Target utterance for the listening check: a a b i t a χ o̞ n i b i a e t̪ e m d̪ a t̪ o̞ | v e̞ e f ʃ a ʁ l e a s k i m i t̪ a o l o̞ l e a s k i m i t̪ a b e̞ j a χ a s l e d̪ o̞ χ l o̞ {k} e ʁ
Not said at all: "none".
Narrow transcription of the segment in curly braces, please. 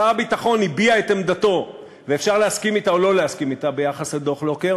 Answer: k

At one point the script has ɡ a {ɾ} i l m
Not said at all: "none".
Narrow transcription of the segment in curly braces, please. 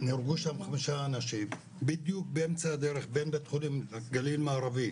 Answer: l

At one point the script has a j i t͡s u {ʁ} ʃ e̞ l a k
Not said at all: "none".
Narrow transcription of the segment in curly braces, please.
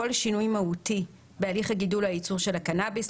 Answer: ʁ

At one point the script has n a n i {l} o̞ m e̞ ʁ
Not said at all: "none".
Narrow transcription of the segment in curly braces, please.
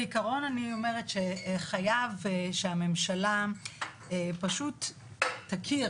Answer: none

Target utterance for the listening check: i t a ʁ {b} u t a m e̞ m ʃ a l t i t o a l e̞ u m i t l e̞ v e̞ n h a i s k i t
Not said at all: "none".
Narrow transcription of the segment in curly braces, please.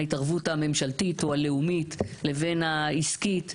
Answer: v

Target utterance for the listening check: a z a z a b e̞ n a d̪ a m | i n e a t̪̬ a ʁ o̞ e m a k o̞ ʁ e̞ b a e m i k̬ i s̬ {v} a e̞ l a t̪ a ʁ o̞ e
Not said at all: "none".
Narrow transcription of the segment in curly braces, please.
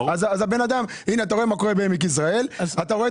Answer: ʁ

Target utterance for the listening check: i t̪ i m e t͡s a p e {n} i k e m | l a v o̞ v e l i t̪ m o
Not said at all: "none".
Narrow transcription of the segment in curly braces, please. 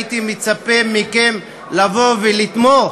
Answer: m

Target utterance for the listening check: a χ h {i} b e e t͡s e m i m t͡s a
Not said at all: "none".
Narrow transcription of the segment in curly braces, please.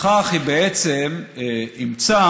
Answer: i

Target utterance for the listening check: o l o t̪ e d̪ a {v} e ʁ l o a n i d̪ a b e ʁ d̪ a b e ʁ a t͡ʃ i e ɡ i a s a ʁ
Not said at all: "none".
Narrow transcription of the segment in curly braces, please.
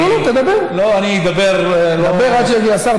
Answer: b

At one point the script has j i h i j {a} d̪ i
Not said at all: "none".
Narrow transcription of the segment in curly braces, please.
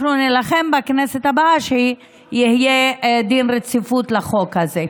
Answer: e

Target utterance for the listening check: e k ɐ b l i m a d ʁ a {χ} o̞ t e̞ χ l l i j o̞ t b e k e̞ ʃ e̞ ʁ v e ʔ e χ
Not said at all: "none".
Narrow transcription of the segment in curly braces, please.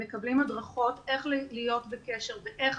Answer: χ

